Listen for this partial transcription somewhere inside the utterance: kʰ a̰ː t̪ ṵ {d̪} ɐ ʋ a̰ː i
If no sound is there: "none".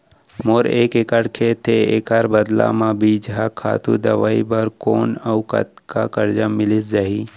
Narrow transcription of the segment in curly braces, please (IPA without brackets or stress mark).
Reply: d̪